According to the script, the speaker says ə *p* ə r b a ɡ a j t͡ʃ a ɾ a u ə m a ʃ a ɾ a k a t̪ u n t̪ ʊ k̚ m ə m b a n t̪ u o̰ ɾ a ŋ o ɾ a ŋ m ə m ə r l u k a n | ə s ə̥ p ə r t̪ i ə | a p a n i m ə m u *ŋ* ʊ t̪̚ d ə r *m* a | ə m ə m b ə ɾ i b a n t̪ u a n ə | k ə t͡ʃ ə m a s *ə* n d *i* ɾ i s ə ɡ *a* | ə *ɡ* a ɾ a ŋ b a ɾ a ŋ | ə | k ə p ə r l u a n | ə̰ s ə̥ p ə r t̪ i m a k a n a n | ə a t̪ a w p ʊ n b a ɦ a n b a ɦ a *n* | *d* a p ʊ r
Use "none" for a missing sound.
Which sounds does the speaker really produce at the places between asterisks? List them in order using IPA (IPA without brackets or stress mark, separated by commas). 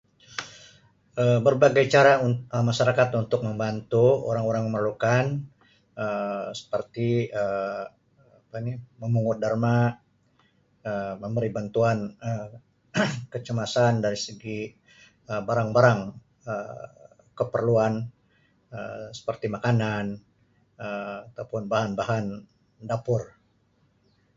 b, ŋ, m, a, a, i, b, n, d